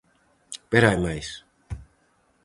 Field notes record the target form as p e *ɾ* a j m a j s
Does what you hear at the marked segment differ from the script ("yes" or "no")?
no